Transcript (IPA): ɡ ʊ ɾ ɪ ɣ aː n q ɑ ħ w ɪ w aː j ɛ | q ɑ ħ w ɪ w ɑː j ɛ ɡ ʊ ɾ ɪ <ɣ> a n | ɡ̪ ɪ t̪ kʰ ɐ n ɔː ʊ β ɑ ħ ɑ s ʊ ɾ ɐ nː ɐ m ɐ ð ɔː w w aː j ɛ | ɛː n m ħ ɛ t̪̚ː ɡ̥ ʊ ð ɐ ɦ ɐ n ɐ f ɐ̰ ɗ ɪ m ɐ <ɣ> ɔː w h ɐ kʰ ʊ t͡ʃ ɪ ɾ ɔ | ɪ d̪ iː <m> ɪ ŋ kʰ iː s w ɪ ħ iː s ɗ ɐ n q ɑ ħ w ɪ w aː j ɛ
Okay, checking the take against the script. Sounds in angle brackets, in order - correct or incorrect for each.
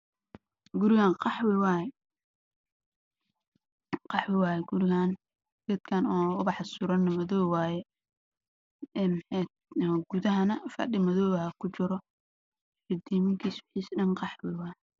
correct, incorrect: ð, correct

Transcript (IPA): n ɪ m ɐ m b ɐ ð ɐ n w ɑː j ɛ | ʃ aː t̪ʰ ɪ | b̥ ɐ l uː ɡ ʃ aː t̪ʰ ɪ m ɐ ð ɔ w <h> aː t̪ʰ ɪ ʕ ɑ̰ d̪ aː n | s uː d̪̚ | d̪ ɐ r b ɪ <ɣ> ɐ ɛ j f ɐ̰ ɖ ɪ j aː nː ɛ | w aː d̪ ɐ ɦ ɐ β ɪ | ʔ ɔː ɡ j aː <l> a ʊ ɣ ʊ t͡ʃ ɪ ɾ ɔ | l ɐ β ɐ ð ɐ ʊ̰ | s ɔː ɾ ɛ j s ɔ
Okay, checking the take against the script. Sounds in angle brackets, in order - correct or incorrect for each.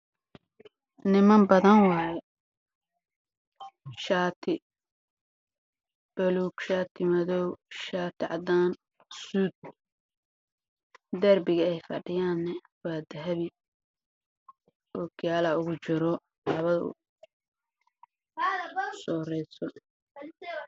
incorrect: ʃ, correct, correct

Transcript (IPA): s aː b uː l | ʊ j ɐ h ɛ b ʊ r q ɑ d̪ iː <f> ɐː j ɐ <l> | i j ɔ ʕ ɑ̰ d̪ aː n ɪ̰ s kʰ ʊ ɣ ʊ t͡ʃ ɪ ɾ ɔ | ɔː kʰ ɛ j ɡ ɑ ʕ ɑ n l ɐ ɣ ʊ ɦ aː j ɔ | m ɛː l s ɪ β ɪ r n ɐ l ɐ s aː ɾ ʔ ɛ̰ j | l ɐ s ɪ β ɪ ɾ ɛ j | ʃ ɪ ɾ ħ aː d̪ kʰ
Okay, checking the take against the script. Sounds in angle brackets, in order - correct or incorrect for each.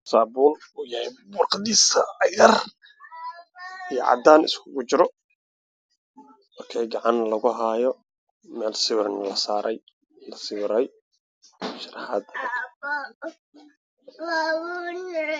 incorrect: s, incorrect: r

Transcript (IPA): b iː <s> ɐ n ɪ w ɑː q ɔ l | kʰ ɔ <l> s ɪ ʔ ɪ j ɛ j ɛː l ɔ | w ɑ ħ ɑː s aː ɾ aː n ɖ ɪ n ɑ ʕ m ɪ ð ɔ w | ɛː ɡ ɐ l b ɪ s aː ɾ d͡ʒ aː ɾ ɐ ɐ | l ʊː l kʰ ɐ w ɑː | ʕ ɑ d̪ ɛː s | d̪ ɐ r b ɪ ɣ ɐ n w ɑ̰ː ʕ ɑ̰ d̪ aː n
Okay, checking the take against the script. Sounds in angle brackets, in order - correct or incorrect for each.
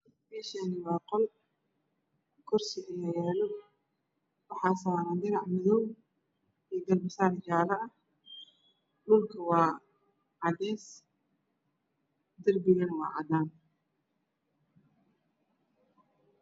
incorrect: ʃ, incorrect: r

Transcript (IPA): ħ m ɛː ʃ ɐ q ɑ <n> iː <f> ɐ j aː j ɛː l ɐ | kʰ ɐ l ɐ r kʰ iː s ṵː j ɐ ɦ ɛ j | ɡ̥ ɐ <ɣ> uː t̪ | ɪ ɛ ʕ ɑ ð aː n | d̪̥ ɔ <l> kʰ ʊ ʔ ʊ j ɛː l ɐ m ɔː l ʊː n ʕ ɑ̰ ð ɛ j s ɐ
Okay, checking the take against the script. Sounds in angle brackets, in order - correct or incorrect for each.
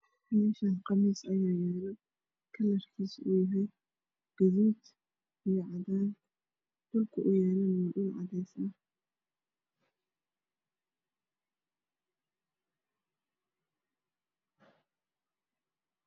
incorrect: m, incorrect: s, incorrect: ð, correct

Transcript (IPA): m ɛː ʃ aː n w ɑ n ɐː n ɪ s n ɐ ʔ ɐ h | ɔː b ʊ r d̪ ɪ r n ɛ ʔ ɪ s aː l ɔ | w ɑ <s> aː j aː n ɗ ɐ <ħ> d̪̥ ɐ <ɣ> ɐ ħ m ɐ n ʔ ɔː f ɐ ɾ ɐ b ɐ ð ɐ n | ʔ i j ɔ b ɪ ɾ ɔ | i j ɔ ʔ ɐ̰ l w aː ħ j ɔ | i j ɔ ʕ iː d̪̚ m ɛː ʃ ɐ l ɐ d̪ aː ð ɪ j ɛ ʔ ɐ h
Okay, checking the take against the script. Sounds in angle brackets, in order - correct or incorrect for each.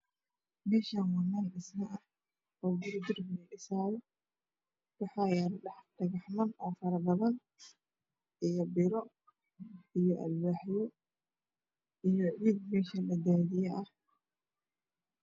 incorrect: ħ, correct, correct

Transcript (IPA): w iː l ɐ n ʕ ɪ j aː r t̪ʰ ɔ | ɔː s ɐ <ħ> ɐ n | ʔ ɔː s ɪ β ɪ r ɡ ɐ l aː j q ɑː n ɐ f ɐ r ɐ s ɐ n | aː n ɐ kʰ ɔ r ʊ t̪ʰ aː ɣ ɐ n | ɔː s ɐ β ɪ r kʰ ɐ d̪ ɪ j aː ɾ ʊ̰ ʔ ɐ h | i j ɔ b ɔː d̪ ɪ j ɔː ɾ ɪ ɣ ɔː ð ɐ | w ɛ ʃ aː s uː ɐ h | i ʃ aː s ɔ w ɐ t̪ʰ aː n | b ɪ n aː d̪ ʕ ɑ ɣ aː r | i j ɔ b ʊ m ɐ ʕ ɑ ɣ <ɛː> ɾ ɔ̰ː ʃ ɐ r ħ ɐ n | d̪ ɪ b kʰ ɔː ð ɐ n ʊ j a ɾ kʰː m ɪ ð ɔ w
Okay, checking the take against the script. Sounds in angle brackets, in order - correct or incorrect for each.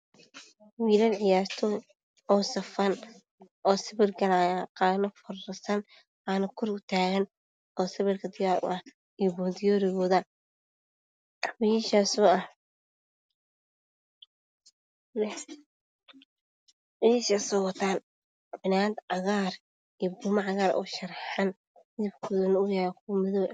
incorrect: f, incorrect: aː

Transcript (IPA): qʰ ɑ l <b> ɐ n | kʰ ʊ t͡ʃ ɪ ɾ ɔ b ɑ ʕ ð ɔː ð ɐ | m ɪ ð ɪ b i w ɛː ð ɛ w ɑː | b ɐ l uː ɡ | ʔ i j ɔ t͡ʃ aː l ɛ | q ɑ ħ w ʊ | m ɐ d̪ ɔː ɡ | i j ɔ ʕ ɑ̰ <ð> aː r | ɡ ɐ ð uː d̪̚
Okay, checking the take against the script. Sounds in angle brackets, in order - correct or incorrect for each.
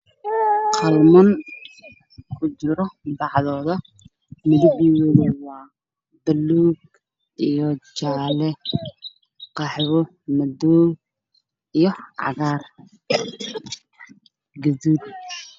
incorrect: m, incorrect: ɣ

